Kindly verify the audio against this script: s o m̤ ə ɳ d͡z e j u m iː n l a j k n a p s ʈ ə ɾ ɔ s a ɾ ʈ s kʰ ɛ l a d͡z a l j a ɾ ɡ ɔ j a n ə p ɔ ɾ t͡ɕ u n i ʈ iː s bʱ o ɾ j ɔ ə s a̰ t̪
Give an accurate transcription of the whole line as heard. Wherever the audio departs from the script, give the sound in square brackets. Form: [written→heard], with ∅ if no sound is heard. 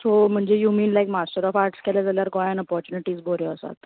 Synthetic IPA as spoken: s o m̤ ə ɳ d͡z e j u m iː n l a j k [n→m] a [p→∅] s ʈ ə ɾ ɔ [s→f] a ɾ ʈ s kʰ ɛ l a d͡z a l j a ɾ ɡ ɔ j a n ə p ɔ ɾ t͡ɕ u n i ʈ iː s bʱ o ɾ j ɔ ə s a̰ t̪